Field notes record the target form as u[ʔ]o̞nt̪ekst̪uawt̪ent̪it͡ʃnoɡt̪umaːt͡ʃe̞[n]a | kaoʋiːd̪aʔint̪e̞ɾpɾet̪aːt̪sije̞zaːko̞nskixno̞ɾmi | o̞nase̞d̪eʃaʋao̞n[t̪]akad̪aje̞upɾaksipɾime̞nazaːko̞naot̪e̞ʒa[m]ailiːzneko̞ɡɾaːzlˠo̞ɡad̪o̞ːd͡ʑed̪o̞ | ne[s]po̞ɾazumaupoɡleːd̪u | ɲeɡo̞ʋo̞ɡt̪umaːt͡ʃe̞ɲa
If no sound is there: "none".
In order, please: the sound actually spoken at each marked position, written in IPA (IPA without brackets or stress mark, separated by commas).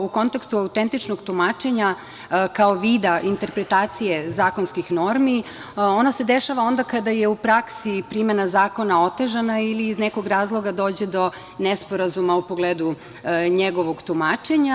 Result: k, ɲ, d̪, n, s